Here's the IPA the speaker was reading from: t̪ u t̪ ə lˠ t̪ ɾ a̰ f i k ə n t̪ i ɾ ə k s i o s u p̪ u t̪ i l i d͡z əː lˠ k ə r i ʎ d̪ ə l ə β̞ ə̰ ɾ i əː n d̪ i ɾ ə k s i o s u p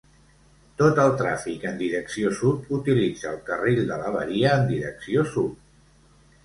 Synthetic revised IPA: t̪ o t̪ ə lˠ t̪ ɾ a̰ f i k ə n d̪ i ɾ ə k s i o s u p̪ u t̪ i l i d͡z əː lˠ k ə r i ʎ d̪ ə l ə β̞ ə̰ ɾ i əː n d̪ i ɾ ə k s i o s u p